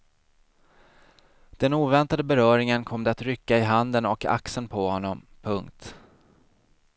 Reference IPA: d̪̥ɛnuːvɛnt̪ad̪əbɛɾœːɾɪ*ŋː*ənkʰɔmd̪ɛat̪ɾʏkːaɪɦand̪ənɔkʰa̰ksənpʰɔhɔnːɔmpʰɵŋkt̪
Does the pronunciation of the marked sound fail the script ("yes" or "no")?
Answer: yes